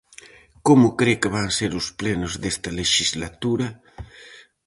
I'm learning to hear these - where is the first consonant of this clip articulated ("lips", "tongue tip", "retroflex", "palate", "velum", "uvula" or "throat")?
velum